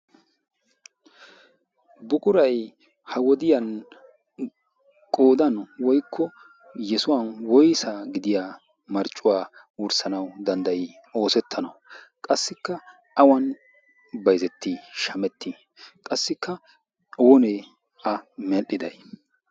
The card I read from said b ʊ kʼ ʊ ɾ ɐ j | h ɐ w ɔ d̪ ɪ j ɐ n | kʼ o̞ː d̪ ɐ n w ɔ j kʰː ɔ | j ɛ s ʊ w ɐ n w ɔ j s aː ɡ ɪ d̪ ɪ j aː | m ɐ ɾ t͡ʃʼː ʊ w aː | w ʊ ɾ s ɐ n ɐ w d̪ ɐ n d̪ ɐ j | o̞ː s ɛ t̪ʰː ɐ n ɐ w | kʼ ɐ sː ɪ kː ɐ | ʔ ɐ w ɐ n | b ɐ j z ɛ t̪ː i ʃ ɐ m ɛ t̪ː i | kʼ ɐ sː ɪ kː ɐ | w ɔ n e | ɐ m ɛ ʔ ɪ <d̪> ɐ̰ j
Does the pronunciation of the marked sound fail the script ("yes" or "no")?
no